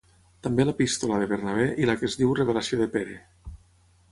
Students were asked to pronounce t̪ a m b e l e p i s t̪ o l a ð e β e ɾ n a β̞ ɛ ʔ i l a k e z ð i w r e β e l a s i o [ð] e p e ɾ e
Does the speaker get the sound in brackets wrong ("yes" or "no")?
no